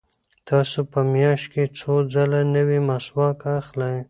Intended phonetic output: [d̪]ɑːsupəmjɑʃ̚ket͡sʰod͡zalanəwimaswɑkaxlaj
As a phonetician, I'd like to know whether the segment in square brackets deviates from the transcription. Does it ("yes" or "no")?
yes